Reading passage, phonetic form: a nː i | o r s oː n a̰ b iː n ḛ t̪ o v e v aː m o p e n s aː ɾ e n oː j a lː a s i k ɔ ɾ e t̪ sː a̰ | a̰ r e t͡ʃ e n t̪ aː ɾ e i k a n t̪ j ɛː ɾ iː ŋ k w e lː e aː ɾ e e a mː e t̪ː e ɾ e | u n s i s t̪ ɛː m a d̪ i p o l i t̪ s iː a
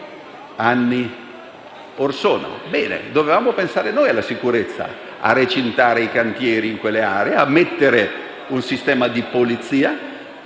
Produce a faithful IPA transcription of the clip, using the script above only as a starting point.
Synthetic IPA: a nː i | o r s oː n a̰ b ɛː n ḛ d̪ o v e v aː m o p e n s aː ɾ e n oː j a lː a s i k u ɾ e t̪ sː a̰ | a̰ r e t͡ʃ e n t̪ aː ɾ e i k a n t̪ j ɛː ɾ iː ŋ k w e lː e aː ɾ e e a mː e t̪ː e ɾ e | u n s i s t̪ ɛː m a d̪ i p o l i t̪ s iː a